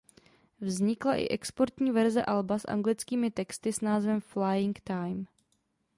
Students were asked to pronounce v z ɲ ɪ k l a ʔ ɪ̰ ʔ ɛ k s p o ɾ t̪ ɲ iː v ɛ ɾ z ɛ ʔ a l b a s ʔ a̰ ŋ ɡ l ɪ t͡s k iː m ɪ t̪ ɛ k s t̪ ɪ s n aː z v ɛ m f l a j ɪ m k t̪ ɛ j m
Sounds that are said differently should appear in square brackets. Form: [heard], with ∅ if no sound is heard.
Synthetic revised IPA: v z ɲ ɪ k l a ʔ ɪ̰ ʔ ɛ k s p o ɾ t̪ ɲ iː v ɛ ɾ z ɛ ʔ a l b a s ʔ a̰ ŋ ɡ l ɪ t͡s k iː m ɪ t̪ ɛ k s t̪ ɪ s n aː z v ɛ m f l a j ɪ [ŋ] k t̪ [a] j m